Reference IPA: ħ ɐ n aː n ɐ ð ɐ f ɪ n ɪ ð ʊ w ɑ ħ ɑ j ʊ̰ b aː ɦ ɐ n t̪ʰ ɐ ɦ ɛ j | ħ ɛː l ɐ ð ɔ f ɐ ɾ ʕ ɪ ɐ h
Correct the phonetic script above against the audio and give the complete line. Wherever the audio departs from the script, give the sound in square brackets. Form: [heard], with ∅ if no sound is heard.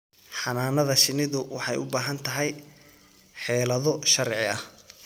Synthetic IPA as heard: ħ [ɑ] n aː n ɐ ð ɐ [ʃ] ɪ n ɪ ð ʊ w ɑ ħ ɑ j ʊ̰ b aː ɦ ɐ n t̪ʰ ɐ ɦ ɛ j | ħ ɛː l ɐ ð ɔ [ʃ] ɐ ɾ ʕ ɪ ɐ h